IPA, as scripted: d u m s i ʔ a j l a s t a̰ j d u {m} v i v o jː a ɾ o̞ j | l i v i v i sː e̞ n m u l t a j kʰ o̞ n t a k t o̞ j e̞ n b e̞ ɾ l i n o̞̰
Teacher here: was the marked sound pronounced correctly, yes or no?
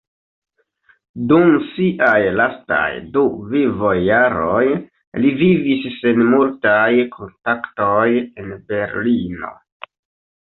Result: no